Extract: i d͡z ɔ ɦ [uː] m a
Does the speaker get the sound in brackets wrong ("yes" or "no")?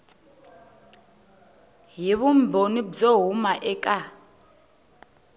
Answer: yes